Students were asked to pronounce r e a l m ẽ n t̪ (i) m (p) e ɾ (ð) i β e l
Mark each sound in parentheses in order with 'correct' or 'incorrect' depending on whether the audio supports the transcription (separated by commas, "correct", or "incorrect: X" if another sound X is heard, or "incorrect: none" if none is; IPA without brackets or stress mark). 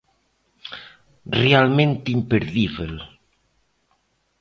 correct, correct, correct